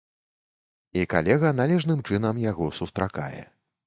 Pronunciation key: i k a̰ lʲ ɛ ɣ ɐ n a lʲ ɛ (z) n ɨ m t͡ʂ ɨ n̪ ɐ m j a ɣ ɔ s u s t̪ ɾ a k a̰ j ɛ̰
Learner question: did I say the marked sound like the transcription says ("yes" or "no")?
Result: no